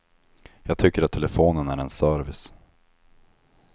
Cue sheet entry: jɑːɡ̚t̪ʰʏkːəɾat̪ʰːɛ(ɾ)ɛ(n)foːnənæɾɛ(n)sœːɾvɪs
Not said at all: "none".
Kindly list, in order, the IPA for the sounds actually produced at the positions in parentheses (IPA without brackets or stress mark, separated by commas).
l, none, n